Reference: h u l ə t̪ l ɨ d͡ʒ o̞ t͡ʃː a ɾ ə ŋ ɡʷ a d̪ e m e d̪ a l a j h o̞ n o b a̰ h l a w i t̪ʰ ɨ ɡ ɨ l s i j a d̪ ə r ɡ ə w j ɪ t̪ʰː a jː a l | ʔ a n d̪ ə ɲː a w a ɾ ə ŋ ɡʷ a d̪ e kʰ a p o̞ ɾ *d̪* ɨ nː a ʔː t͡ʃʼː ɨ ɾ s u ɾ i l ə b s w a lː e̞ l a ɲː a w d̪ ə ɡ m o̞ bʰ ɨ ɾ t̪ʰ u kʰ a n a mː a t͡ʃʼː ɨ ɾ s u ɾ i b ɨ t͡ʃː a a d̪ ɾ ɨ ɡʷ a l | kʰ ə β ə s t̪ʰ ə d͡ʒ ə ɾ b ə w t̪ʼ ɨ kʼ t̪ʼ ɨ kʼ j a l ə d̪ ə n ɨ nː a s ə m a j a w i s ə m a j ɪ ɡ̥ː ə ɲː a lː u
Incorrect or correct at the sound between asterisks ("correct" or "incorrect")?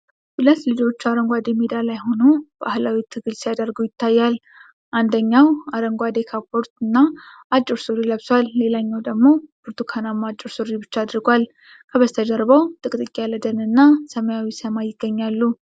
incorrect